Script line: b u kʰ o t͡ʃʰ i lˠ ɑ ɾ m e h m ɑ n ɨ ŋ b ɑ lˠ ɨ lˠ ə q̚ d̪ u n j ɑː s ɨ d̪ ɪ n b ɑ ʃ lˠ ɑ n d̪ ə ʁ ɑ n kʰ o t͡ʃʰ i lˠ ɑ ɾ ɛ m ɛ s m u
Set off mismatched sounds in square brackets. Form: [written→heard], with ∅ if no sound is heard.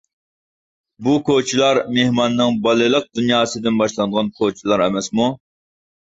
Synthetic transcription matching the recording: b u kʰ o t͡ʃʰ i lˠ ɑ ɾ m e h m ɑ [n→nː] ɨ ŋ b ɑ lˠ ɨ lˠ ə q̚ d̪ u n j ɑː s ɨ d̪ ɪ n b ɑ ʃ lˠ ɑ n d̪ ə ʁ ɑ n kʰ o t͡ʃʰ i lˠ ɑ ɾ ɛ m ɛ s m u

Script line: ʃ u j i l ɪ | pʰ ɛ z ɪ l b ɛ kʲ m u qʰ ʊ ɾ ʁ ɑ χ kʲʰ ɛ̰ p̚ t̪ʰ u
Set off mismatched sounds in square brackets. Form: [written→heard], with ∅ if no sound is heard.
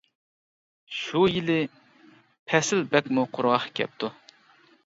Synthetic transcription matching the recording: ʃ u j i l ɪ | pʰ ɛ [z→s] ɪ l b ɛ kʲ m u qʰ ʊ ɾ ʁ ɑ χ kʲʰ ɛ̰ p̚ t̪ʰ u

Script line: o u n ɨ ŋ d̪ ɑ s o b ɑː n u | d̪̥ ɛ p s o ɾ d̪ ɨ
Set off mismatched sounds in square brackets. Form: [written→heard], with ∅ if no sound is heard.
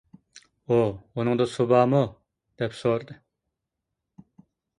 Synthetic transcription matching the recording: o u n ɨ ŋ d̪ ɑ s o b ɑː [n→m] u | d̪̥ ɛ p s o ɾ d̪ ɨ

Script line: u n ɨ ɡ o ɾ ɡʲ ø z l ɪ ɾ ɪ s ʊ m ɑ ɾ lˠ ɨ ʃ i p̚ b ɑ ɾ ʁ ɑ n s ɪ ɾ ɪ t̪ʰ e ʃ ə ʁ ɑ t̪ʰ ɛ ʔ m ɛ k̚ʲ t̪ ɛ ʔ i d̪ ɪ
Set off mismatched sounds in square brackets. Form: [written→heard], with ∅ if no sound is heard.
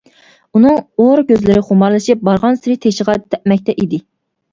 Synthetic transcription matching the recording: u n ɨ [ɡ→ŋ] o ɾ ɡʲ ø z l ɪ ɾ ɪ [s→χ] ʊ m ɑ ɾ lˠ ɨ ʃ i p̚ b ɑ ɾ ʁ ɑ n s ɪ ɾ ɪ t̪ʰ e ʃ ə ʁ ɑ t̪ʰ ɛ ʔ m ɛ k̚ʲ t̪ ɛ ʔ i d̪ ɪ

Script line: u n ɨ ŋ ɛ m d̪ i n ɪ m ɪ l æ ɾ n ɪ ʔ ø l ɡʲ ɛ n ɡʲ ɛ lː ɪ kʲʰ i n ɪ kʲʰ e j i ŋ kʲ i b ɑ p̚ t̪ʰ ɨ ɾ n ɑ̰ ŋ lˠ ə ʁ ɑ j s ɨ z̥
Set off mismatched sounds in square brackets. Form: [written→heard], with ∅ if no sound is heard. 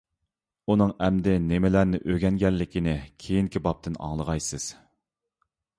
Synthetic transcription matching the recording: u n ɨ ŋ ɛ m d̪ [i→ɪ] n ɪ m ɪ l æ ɾ n ɪ ʔ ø [l→∅] ɡʲ ɛ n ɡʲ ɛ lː ɪ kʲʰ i n ɪ kʲʰ e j i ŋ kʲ i b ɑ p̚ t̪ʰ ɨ [ɾ→∅] n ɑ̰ ŋ lˠ ə ʁ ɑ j s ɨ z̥

